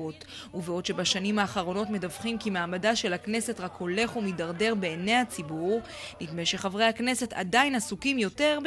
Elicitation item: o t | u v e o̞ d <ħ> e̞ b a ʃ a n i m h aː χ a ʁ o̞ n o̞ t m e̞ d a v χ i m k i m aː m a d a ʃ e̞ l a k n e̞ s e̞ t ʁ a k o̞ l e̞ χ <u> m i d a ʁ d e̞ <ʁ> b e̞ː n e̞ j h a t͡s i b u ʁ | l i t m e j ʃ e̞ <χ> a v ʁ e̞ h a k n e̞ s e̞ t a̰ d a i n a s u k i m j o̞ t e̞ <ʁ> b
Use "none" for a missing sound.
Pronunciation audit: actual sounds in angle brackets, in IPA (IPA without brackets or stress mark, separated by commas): ʃ, u, ʁ, χ, ʁ